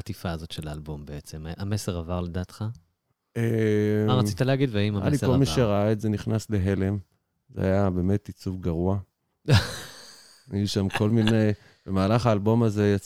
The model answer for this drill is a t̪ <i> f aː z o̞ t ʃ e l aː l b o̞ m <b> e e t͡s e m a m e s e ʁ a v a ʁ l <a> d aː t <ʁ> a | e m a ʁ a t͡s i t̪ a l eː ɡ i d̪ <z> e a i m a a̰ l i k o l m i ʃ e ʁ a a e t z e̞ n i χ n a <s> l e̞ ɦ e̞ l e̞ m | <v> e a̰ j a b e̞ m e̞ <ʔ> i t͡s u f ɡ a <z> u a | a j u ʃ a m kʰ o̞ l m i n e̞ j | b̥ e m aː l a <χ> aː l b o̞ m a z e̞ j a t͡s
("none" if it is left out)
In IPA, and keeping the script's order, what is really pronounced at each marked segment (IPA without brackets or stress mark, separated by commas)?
i, b, e, χ, v, s, z, t, ʁ, χ